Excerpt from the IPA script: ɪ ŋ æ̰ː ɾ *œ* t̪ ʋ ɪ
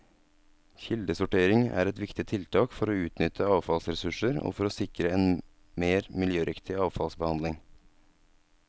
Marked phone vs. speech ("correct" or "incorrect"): incorrect